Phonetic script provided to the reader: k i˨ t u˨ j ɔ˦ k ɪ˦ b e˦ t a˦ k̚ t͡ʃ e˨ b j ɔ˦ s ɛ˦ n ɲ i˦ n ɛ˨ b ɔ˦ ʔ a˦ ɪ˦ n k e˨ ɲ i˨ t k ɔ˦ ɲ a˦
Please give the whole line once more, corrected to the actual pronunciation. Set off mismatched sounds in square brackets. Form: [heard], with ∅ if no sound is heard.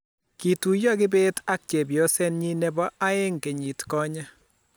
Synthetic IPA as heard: k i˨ t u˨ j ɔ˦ k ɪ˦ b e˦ t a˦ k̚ t͡ʃ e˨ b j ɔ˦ s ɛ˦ n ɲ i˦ n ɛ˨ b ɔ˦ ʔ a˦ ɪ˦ [ŋ] k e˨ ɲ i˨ t k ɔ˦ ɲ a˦